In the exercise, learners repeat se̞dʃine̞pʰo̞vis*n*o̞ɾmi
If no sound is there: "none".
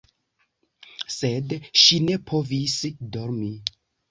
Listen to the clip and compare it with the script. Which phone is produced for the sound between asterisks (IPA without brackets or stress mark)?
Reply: d